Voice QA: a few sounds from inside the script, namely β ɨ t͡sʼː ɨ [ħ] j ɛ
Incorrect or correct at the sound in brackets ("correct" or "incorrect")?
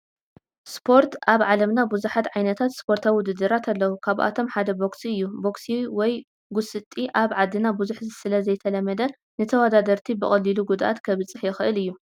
correct